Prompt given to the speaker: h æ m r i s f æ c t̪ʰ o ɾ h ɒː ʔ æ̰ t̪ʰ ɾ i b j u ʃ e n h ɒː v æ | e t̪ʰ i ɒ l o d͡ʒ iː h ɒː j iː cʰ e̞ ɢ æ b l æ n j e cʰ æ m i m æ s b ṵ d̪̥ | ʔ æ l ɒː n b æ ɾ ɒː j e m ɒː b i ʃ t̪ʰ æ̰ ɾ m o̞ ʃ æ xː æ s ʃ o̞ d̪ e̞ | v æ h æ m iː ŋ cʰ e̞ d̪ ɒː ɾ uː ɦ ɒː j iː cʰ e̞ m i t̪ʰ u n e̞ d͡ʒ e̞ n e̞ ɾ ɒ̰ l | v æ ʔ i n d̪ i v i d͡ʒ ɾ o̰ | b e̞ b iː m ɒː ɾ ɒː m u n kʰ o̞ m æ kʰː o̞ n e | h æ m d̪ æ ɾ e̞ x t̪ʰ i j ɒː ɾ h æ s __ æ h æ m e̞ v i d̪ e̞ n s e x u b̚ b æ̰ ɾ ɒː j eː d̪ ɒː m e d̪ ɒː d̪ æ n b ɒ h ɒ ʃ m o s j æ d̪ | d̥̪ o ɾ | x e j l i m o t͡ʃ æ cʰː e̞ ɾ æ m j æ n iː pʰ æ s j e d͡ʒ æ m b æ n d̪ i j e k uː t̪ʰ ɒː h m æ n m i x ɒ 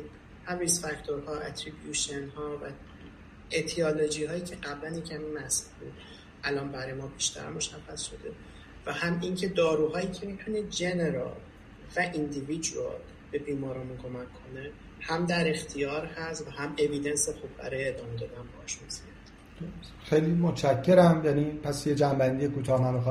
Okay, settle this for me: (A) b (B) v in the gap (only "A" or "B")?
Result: B